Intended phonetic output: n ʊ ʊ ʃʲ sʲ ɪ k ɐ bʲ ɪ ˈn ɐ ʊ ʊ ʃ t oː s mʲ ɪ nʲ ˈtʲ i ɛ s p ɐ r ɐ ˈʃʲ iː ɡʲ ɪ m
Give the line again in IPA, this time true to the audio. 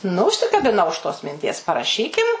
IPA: n ʊ ʊ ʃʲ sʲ ɪ k ɐ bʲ ɪ ˈn ɐ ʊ ʊ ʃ t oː s mʲ ɪ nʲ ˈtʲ i ɛ s p ɐ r ɐ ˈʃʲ iː kʲ ɪ m